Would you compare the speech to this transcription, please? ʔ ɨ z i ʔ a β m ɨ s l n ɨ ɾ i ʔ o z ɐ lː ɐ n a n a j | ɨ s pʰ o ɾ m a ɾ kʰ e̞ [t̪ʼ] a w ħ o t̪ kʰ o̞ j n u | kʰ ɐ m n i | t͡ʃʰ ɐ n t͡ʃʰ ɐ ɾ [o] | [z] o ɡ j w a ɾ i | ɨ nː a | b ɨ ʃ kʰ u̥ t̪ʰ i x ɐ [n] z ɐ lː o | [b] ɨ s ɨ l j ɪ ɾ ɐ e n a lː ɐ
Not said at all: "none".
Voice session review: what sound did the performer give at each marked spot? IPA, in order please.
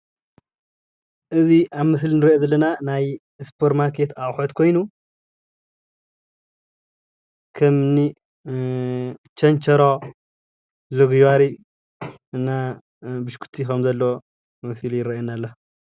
t̪, o, z, m, m

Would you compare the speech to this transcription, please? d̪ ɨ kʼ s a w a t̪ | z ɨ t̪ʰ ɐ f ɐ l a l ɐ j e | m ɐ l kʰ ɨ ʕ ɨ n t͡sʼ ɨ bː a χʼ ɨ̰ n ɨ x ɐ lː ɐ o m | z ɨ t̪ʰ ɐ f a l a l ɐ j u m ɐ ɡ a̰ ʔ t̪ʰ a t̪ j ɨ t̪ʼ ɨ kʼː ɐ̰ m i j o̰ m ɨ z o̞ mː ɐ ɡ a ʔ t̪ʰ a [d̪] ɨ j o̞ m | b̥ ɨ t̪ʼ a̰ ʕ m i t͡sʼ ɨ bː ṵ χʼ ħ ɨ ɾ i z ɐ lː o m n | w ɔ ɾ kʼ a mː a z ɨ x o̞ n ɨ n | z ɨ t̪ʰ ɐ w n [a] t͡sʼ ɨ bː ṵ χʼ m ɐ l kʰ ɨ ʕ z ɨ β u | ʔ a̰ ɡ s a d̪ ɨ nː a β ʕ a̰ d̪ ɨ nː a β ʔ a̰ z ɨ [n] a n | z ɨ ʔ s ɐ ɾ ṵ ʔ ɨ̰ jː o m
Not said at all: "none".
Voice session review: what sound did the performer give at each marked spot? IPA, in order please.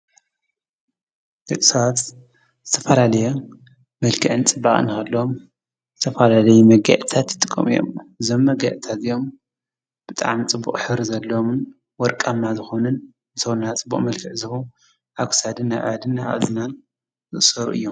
t̪, a, n

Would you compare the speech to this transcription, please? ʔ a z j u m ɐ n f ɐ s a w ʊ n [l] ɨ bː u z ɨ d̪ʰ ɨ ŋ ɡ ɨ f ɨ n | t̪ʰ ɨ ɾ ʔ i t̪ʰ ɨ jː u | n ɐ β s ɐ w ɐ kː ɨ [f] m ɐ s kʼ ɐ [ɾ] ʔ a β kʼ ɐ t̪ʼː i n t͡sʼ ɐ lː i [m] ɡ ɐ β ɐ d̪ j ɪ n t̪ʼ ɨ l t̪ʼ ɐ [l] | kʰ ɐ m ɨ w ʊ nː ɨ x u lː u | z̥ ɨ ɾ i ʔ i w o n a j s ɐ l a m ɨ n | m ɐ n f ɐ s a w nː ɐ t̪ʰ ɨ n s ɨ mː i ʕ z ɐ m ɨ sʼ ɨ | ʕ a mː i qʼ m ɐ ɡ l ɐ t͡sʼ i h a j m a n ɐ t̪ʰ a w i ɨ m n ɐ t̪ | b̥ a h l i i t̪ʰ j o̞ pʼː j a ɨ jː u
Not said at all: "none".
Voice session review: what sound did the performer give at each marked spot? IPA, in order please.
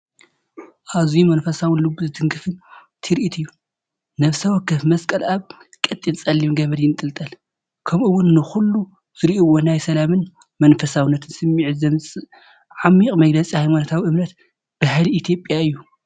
l, f, l, m, l

